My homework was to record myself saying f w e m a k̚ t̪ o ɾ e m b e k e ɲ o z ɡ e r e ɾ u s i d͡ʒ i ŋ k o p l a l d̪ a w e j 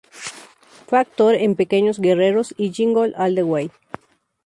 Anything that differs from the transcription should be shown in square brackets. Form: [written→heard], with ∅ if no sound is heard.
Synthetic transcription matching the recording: f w e [m→∅] a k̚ t̪ o ɾ e m [b→p] e k e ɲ o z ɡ e r e ɾ [u→o] s i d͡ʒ i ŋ [k→ɡ] o [p→∅] l a l d̪ [a→e] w e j